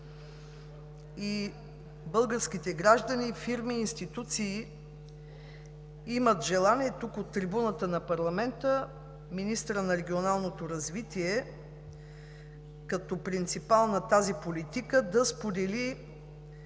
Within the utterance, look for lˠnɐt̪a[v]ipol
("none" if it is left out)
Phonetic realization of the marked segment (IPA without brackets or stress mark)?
z